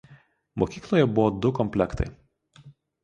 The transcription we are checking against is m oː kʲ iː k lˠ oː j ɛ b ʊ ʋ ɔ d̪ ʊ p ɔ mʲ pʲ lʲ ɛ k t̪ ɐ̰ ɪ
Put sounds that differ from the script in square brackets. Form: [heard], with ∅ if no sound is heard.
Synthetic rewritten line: m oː kʲ iː k lˠ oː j ɛ b ʊ ʋ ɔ d̪ ʊ [k] ɔ mʲ pʲ lʲ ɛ k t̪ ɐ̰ ɪ